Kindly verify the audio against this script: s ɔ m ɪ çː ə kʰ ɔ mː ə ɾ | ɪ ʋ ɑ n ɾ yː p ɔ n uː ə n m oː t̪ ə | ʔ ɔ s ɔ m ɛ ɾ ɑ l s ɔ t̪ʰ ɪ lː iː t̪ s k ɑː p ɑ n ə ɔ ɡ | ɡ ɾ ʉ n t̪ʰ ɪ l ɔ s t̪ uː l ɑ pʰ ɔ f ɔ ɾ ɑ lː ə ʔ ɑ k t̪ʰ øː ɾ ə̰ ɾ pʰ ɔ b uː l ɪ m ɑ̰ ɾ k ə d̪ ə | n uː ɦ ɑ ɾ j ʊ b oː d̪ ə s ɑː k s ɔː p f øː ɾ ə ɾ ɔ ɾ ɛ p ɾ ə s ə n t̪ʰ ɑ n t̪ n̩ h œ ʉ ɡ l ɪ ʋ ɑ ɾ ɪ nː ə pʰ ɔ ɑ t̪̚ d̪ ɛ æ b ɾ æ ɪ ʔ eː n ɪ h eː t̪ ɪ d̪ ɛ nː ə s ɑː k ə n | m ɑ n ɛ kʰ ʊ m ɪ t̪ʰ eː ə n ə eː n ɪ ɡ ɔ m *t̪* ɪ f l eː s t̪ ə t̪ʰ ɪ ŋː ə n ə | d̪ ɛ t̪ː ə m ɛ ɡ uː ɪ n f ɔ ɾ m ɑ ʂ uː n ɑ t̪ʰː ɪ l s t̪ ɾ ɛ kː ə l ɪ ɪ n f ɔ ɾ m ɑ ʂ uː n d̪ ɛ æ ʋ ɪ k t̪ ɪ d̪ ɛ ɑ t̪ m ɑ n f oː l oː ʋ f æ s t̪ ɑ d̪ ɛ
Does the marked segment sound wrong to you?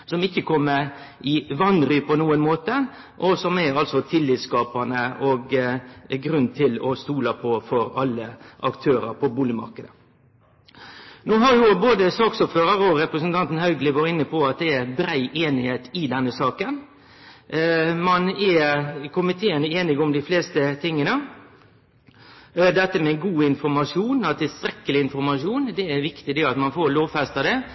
yes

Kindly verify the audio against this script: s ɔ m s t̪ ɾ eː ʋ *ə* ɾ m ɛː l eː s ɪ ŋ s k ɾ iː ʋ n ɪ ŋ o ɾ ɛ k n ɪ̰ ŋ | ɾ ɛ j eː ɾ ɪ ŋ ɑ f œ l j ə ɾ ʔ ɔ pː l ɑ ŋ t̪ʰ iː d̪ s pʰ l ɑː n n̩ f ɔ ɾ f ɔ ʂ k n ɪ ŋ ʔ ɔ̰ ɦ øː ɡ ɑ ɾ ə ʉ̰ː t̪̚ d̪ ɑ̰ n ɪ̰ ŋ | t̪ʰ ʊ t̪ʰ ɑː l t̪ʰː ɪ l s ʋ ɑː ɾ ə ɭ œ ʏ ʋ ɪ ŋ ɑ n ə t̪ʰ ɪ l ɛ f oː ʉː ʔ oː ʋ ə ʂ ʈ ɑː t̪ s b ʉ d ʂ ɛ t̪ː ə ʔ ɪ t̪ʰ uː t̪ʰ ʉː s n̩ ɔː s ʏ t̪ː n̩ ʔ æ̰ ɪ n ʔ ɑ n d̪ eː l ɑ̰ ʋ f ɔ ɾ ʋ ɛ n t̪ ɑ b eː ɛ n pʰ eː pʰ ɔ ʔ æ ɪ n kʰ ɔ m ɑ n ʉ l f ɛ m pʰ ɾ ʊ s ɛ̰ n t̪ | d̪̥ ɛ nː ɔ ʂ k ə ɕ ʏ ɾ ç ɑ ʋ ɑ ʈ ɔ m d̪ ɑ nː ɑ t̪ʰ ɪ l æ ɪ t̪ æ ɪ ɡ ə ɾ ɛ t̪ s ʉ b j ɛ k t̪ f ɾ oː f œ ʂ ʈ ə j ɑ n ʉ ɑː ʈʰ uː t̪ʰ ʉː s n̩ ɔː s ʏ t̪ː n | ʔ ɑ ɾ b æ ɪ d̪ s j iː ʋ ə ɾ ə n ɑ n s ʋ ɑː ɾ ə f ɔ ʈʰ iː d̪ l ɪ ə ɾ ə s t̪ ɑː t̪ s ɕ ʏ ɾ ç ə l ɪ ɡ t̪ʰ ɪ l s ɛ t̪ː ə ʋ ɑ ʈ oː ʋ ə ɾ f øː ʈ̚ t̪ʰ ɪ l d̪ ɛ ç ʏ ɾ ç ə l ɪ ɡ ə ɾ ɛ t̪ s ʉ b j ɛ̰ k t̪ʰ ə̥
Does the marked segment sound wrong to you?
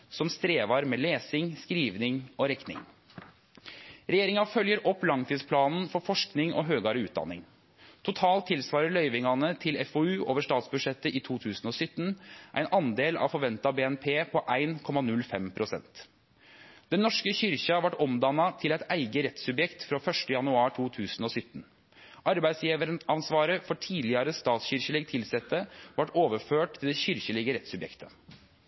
yes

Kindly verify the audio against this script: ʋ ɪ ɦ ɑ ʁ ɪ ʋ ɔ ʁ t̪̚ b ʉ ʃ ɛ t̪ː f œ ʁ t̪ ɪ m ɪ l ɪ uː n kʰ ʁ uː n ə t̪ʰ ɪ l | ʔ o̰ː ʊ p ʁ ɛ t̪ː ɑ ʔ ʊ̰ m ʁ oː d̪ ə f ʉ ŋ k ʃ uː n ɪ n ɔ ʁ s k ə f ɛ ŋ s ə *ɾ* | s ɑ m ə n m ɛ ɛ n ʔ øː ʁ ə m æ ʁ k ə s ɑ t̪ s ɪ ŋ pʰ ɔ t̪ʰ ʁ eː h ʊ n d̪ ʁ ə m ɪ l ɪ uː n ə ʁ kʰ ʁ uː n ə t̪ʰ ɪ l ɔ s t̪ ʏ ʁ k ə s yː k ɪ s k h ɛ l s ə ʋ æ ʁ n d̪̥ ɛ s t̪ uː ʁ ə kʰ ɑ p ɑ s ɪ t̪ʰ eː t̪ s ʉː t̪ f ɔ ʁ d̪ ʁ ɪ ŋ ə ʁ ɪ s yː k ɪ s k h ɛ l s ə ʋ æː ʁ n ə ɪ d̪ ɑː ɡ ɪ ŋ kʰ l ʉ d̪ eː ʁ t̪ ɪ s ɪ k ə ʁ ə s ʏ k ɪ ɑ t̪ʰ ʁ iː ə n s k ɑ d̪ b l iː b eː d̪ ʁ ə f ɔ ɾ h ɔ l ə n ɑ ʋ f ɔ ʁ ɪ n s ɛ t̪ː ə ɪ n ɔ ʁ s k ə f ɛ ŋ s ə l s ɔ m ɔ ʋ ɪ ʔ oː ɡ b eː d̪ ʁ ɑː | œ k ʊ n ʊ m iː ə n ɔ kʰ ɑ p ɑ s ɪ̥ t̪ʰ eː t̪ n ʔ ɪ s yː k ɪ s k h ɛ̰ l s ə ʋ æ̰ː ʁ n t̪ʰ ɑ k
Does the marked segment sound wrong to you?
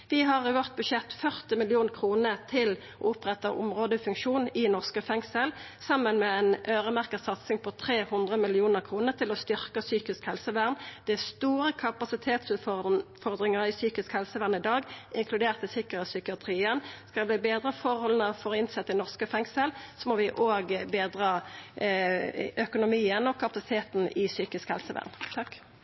yes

